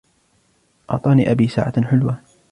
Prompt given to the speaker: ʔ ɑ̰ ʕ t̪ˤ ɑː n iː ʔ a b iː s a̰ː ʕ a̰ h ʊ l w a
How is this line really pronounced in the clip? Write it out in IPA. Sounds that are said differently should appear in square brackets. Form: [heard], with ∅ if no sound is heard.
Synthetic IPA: ʔ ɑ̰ ʕ t̪ˤ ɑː n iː ʔ a b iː s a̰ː ʕ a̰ [ħ] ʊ l w a